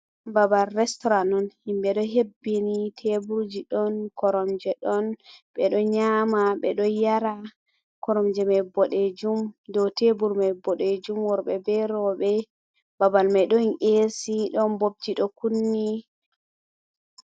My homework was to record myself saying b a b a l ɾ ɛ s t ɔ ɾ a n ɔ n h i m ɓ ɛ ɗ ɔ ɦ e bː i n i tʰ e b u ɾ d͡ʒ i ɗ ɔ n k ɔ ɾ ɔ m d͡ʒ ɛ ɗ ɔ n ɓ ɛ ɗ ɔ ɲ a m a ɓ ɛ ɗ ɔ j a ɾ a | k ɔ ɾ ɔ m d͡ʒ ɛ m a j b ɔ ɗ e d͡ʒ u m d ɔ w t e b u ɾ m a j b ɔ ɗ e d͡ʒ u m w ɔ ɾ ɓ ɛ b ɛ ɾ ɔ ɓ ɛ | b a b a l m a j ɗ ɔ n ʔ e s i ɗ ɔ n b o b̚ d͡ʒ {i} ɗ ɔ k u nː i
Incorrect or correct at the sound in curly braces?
correct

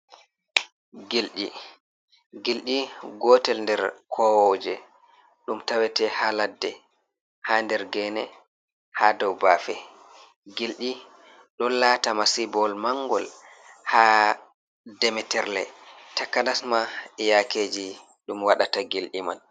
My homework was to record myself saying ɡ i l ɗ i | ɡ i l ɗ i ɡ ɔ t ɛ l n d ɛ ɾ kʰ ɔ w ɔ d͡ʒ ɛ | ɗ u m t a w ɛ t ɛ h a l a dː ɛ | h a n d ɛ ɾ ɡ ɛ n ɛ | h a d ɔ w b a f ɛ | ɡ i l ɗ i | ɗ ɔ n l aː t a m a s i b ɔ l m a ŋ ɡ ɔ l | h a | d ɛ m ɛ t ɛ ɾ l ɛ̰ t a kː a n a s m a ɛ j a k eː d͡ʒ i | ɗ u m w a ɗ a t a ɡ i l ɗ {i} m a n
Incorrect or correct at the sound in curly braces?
correct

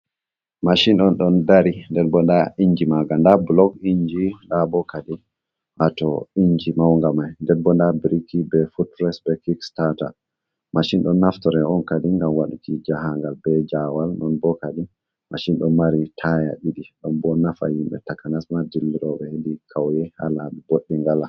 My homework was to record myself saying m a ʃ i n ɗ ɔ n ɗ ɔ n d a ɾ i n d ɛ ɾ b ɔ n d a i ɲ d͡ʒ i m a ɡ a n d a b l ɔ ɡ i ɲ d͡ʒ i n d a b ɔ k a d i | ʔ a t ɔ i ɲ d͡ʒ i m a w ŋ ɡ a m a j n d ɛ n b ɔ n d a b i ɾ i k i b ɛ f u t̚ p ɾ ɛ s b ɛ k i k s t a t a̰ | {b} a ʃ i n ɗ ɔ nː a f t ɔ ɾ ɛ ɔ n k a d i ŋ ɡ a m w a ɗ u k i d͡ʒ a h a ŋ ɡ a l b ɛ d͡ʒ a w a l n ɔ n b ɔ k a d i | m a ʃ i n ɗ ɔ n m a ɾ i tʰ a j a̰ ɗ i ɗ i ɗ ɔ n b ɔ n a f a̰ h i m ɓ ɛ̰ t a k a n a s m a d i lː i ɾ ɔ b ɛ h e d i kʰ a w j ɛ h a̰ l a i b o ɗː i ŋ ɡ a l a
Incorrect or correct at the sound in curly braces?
incorrect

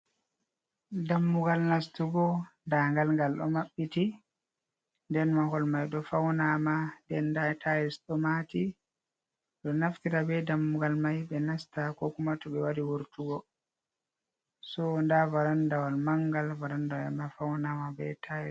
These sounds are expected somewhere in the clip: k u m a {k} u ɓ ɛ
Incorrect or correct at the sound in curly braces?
incorrect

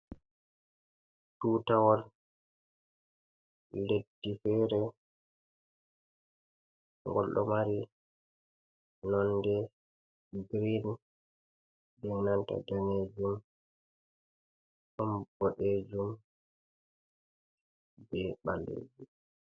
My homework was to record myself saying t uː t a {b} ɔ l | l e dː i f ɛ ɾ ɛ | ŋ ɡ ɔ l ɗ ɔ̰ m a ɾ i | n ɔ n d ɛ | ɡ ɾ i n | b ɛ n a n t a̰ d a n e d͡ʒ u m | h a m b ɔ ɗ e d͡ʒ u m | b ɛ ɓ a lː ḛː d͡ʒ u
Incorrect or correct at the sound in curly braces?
incorrect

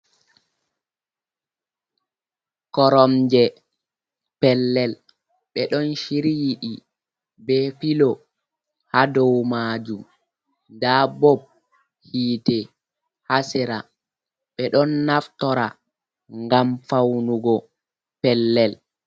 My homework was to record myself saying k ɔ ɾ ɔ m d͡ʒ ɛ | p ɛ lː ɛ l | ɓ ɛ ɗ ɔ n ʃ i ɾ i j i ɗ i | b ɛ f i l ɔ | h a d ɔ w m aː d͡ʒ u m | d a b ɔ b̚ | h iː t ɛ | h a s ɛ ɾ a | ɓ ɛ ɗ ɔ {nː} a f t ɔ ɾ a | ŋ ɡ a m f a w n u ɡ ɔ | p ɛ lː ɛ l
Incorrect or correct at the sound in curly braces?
correct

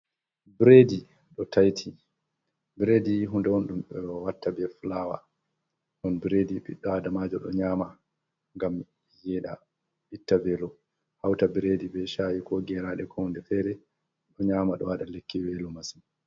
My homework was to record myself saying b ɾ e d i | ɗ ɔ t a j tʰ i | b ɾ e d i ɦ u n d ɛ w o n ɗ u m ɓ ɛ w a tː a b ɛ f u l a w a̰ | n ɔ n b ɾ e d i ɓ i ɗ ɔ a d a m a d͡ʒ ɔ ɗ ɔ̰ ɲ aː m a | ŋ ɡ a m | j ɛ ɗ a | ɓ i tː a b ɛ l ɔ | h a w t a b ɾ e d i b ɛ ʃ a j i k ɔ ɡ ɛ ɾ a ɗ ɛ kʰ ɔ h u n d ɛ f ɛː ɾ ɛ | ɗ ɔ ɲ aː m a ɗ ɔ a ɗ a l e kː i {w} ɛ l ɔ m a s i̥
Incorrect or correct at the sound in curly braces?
correct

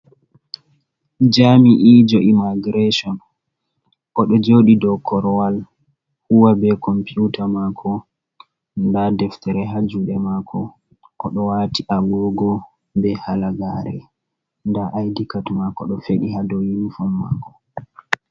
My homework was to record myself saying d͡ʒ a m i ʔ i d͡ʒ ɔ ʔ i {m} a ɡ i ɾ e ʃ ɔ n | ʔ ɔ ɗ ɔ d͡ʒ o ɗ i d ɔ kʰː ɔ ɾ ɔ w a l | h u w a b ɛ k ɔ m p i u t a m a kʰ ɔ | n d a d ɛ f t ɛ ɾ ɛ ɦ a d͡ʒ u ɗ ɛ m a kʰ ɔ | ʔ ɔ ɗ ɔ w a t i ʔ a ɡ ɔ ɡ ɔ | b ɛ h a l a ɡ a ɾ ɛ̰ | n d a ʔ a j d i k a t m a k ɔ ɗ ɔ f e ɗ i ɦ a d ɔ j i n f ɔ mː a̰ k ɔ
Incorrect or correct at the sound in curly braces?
correct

